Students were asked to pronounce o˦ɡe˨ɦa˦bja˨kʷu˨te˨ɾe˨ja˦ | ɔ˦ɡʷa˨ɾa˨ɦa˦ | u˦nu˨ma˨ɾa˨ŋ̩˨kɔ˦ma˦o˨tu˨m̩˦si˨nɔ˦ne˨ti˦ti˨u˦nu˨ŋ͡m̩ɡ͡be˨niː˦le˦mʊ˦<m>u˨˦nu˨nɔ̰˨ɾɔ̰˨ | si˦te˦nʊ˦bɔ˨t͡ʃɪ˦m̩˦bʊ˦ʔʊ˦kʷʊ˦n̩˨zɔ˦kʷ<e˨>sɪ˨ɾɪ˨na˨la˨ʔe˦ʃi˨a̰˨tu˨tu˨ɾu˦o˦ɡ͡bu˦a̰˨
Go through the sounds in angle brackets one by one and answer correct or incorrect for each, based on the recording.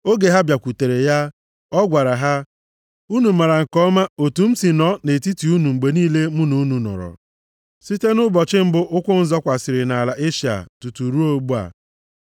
incorrect: n, incorrect: a˨

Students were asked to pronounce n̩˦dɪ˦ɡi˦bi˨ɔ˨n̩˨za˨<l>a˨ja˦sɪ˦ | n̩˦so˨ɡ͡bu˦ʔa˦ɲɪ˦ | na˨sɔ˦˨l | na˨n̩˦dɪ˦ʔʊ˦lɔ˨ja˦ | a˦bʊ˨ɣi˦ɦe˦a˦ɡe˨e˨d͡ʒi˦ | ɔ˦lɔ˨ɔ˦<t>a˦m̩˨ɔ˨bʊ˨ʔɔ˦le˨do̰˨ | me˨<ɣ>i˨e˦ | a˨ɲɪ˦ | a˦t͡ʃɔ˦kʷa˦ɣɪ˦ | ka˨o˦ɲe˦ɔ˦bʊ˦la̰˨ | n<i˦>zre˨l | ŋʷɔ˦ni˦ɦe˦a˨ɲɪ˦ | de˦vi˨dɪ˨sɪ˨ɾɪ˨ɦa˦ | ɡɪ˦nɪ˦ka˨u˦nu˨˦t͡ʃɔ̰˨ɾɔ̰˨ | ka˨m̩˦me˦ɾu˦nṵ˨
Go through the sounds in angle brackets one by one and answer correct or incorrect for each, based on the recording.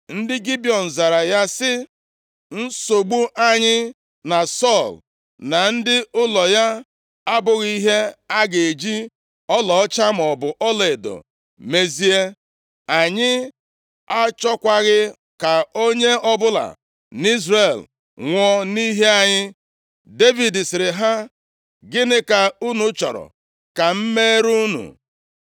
incorrect: ɾ, incorrect: t͡ʃ, incorrect: z, correct

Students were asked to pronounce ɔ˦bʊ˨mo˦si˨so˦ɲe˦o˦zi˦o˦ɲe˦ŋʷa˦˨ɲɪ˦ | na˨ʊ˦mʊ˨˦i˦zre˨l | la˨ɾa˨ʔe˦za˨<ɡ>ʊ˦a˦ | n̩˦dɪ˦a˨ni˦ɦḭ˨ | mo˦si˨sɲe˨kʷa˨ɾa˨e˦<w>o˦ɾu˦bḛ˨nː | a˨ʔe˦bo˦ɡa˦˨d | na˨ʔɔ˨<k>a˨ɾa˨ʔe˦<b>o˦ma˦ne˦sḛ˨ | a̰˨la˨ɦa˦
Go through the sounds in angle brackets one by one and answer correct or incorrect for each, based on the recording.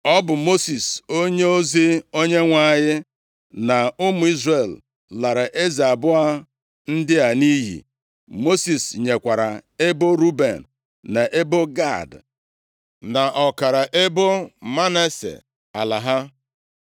incorrect: b, incorrect: b, correct, correct

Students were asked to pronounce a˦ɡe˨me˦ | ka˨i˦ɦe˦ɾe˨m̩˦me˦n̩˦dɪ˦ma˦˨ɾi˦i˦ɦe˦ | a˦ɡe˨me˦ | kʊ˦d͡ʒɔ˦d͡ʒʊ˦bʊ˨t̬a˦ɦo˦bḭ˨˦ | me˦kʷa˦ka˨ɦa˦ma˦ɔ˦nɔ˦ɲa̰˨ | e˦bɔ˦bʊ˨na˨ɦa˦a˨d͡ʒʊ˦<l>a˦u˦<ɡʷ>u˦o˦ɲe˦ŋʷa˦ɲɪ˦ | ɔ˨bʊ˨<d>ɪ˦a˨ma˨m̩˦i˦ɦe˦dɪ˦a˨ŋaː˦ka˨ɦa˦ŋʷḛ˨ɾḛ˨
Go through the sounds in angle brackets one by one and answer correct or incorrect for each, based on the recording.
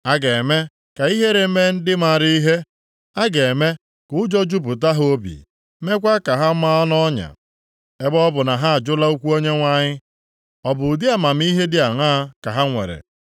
correct, incorrect: kʷ, correct

